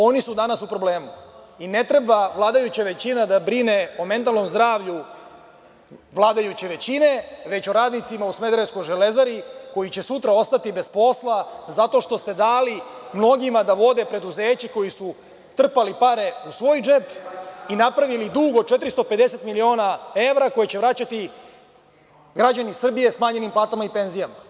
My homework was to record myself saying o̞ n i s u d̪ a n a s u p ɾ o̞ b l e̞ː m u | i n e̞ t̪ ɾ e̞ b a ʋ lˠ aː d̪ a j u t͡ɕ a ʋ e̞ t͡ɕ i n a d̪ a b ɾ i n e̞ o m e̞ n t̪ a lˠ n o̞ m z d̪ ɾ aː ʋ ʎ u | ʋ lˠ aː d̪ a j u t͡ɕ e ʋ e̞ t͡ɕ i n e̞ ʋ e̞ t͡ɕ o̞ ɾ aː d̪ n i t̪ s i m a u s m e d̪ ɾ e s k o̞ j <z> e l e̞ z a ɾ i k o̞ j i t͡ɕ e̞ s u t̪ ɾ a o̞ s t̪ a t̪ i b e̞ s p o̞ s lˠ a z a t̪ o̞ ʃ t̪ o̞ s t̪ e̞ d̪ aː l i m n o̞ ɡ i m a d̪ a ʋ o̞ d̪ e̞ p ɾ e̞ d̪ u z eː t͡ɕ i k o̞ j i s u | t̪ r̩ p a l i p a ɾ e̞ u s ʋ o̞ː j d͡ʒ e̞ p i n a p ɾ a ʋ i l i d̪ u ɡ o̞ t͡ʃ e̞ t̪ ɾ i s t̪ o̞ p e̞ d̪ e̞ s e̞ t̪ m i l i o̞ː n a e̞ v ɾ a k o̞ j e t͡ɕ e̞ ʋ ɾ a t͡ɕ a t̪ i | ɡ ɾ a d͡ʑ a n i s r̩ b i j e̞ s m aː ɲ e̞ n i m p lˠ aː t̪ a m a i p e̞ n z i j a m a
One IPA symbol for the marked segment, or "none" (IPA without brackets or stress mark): ʒ